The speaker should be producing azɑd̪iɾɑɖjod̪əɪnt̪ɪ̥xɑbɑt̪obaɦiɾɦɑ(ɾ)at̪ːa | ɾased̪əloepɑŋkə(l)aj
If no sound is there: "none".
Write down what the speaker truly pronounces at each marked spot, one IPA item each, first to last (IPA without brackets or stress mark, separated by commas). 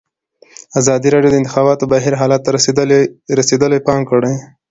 l, ɽ